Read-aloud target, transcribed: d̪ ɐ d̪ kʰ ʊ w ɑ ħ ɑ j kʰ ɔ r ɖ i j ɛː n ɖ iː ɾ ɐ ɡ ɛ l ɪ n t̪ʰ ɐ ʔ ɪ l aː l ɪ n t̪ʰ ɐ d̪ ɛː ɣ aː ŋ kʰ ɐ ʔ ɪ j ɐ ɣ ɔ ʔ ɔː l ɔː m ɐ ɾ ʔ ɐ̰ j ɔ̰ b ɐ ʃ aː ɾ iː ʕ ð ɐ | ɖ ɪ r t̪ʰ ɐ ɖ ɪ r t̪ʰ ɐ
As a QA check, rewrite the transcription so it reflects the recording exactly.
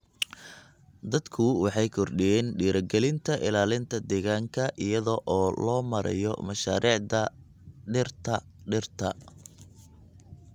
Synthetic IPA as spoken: d̪ ɐ d̪ kʰ ʊ w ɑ ħ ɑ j kʰ ɔ r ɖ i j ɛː n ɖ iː ɾ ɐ ɡ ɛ l ɪ n t̪ʰ ɐ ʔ ɪ l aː l ɪ n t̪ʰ ɐ d̪ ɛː ɣ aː ŋ kʰ ɐ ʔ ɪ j ɐ ð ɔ ʔ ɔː l ɔː m ɐ ɾ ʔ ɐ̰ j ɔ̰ m ɐ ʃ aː ɾ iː ʕ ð ɐ | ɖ ɪ r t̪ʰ ɐ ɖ ɪ r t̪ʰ ɐ